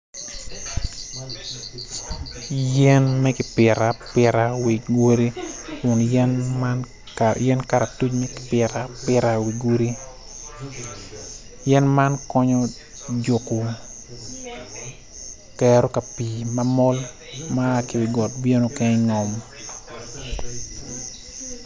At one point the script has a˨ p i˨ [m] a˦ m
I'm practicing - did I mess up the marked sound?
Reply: no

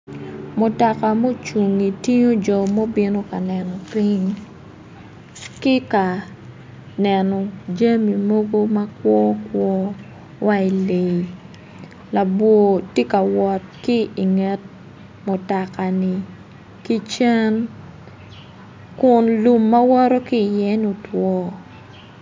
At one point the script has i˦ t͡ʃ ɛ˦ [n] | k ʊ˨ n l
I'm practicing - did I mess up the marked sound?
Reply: no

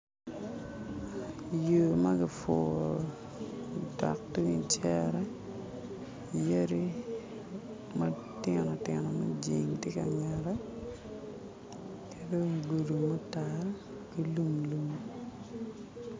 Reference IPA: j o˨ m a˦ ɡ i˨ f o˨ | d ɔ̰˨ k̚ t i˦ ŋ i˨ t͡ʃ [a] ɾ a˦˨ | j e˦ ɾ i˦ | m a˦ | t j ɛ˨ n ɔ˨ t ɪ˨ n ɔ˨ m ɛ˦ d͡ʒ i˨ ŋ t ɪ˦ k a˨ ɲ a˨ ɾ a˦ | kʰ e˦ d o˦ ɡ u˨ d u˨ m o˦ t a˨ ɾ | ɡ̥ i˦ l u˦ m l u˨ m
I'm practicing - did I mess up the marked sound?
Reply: yes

